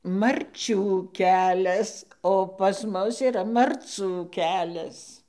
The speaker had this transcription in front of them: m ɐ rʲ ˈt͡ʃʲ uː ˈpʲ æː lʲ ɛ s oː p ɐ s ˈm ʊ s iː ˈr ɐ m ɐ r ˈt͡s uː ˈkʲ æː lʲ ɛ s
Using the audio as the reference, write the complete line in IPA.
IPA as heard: m ɐ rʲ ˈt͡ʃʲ uː ˈkʲ æː lʲ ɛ s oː p ɐ s ˈm ʊ s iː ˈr ɐ m ɐ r ˈt͡s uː ˈkʲ æː lʲ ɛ s